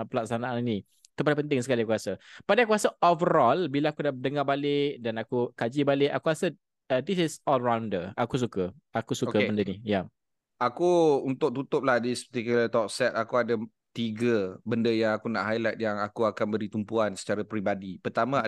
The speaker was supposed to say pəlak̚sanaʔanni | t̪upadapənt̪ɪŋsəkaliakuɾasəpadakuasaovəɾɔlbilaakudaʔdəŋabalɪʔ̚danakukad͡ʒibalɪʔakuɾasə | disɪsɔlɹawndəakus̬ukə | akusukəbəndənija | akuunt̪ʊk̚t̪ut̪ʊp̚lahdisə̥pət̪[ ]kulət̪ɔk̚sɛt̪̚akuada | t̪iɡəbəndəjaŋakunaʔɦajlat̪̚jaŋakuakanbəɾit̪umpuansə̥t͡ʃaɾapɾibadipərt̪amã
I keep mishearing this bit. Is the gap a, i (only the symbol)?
i